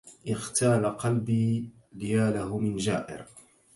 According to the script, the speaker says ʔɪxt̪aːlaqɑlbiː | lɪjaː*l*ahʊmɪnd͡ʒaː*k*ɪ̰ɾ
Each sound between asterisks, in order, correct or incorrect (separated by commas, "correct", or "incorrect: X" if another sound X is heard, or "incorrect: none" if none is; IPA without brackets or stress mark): correct, incorrect: ʔ